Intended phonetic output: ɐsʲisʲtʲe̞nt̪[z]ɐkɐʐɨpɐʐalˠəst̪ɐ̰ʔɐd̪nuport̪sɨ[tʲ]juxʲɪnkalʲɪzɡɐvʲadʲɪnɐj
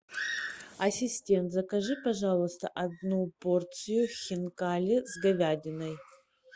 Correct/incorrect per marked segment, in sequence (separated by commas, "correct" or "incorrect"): correct, incorrect